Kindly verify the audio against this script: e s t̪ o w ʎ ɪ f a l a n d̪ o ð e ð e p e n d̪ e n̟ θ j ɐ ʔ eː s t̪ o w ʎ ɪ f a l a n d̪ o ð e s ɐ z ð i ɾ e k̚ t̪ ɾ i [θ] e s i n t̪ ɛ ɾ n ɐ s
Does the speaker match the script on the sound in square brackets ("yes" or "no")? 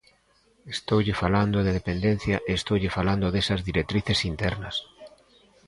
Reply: yes